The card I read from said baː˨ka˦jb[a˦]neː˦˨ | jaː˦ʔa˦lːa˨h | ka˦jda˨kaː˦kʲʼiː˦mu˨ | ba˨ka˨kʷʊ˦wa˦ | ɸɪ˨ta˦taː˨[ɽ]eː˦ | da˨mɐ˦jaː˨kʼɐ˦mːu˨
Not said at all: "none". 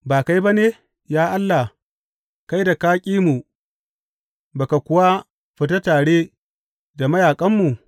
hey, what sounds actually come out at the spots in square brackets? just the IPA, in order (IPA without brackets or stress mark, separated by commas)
a˦, ɽ